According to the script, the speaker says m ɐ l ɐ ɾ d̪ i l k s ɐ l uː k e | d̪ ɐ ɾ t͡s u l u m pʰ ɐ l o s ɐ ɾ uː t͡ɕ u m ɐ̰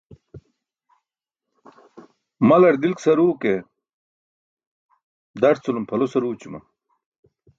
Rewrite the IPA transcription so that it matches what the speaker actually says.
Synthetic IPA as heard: m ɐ l ɐ ɾ d̪ i l k s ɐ ɾ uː k e | d̪ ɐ ɾ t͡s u l u m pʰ ɐ l o s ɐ ɾ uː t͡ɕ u m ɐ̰